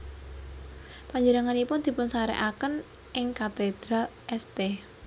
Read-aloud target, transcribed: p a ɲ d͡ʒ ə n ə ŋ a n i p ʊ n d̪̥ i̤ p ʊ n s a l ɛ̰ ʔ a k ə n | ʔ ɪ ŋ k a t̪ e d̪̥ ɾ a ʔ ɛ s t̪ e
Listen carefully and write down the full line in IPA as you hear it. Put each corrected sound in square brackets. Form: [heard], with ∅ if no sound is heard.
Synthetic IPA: p a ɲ d͡ʒ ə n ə ŋ a n i p ʊ n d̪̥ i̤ p ʊ n s a [ɾ] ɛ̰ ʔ a k ə n | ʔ ɪ ŋ k a t̪ e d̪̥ ɾ a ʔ ɛ s t̪ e